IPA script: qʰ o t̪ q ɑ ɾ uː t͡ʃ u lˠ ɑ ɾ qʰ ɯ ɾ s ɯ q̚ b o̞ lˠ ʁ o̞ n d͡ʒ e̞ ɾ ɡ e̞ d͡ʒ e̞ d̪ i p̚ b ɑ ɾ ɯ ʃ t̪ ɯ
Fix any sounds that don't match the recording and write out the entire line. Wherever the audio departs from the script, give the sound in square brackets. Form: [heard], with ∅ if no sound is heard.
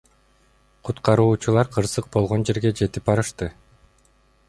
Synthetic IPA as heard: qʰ [u] t̪ q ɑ ɾ uː t͡ʃ u lˠ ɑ ɾ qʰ ɯ ɾ s ɯ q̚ b o̞ lˠ ʁ o̞ n d͡ʒ e̞ ɾ ɡ e̞ d͡ʒ e̞ [t̪] i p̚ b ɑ ɾ ɯ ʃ t̪ ɯ